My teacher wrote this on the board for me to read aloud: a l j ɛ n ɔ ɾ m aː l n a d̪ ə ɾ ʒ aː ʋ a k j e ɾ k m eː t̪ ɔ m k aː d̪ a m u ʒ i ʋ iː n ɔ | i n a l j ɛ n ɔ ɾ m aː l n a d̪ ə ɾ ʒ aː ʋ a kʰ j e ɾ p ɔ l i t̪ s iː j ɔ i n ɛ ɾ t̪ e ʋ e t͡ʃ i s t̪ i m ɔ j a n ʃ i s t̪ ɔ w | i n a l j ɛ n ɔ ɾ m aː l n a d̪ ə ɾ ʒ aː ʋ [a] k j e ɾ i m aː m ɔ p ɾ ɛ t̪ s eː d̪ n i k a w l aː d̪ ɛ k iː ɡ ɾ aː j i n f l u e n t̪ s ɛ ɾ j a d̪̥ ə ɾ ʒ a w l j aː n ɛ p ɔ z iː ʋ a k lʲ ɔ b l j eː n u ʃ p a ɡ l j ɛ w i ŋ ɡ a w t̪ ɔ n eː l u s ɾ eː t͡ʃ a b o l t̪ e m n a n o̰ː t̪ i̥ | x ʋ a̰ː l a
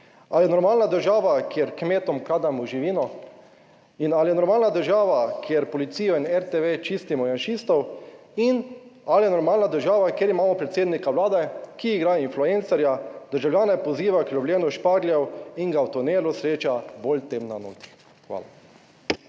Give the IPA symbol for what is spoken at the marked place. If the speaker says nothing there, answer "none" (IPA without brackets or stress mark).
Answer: a